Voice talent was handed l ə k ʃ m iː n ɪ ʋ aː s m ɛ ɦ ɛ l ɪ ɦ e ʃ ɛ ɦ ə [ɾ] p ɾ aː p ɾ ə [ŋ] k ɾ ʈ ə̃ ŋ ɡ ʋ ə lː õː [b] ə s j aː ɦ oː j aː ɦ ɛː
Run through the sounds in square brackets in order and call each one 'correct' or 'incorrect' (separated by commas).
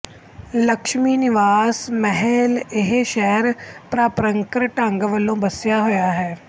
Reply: correct, correct, correct